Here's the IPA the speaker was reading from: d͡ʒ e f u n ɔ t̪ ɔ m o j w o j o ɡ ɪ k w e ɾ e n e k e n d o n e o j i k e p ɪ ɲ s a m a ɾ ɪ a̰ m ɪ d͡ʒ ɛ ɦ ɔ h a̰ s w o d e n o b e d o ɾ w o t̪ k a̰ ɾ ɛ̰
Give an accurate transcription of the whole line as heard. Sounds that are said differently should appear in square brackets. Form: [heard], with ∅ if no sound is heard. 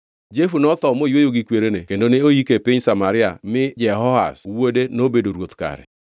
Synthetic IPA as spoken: d͡ʒ e f u n ɔ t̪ ɔ m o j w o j o ɡ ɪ k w e ɾ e n e k e n d o n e o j i k e p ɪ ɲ s a m a ɾ ɪ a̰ m ɪ d͡ʒ ɛ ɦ ɔ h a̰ s w o d e n o b e d o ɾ w o t̪ k a̰ ɾ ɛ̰